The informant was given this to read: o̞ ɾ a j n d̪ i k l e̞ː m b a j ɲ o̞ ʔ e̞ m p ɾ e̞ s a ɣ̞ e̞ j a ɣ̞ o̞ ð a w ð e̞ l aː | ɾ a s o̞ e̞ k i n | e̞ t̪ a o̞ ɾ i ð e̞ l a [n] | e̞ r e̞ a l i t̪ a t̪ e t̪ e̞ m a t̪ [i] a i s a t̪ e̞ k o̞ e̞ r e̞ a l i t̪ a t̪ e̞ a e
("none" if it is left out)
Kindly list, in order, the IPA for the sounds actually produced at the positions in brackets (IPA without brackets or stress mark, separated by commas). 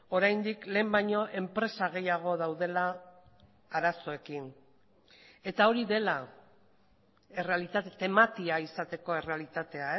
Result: none, i